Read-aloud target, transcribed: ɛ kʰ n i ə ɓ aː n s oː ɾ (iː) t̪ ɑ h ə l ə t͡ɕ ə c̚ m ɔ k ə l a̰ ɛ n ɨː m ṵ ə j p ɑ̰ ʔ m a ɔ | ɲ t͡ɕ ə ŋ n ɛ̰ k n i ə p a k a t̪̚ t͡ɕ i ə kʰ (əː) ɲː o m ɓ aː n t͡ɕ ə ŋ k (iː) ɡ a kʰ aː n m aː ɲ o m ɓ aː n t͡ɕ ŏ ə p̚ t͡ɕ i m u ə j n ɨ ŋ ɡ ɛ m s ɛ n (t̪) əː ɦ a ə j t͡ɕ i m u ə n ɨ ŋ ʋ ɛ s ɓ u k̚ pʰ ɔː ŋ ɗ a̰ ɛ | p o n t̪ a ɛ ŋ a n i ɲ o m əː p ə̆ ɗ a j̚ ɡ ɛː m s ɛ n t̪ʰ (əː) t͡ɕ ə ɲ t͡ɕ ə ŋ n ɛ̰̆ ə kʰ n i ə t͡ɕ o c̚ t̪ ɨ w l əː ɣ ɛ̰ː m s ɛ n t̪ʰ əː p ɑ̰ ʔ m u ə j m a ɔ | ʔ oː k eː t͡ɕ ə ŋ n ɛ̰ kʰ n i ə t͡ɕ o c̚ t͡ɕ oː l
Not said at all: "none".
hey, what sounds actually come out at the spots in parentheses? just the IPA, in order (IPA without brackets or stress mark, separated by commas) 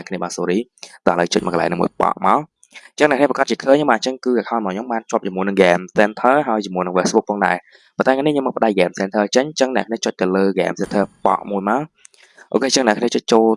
iː, əː, ɨː, t̪ʰ, əː